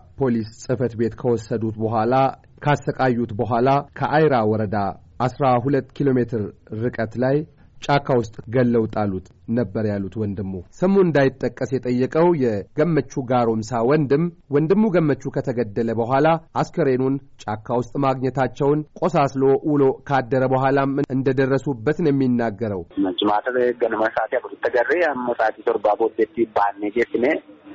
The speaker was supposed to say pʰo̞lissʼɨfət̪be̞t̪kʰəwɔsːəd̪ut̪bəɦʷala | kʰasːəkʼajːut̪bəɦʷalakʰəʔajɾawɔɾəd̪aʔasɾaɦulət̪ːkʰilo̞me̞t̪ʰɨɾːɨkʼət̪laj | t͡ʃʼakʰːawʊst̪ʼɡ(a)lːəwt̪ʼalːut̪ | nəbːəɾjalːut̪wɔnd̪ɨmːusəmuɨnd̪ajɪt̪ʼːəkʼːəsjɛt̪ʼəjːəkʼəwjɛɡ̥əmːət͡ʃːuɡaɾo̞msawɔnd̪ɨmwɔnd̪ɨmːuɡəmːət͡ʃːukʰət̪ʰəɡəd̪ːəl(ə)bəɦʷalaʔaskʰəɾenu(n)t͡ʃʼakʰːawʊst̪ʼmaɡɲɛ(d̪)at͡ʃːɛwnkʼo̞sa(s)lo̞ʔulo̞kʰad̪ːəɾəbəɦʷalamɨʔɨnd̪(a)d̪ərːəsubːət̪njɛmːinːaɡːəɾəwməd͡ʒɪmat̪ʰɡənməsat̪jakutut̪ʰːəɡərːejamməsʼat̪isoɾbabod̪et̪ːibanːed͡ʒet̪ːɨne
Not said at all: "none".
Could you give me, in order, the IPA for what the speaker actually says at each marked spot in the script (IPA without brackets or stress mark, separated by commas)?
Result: ə, ə, n, t̪, s, ə